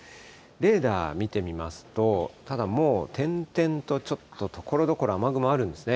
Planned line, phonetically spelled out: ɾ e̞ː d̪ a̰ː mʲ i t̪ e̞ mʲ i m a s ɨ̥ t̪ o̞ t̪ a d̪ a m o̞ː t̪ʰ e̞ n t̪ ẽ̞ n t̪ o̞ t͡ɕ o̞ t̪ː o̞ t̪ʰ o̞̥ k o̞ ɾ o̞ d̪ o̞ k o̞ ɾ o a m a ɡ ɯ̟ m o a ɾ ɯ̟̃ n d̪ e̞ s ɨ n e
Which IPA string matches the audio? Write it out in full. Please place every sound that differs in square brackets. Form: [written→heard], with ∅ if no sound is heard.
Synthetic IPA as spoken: ɾ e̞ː d̪ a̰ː mʲ i t̪ e̞ mʲ i m a s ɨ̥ t̪ o̞ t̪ a d̪ a m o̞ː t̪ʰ [e̞→ẽ̞] n t̪ ẽ̞ n t̪ o̞ t͡ɕ o̞ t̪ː o̞ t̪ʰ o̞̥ k o̞ ɾ o̞ d̪ o̞ k o̞ ɾ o a m a ɡ ɯ̟ m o a ɾ ɯ̟̃ n d̪ e̞ s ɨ n e